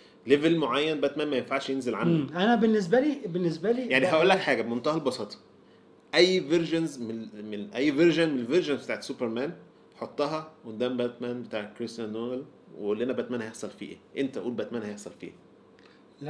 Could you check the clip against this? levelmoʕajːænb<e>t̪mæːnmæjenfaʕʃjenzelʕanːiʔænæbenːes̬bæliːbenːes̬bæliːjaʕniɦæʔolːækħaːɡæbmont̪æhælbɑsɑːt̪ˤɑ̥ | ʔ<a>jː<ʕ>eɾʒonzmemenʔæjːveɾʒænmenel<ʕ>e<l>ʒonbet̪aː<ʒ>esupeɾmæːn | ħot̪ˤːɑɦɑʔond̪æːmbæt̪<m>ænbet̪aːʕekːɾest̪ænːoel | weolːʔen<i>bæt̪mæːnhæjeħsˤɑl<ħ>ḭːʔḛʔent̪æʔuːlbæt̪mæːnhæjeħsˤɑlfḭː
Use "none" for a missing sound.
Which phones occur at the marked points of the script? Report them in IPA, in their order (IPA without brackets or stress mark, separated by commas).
æ, æ, v, v, ɾ, ʕ, m, æ, f